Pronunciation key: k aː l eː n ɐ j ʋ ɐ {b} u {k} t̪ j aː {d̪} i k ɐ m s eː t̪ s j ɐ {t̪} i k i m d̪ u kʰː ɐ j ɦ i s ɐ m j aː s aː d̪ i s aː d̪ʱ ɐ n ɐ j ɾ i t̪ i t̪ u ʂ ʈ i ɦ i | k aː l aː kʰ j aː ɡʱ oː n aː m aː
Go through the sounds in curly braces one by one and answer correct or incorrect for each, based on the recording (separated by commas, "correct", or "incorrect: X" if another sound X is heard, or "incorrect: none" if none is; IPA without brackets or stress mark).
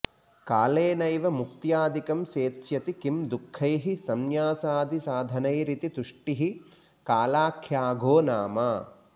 incorrect: m, correct, correct, correct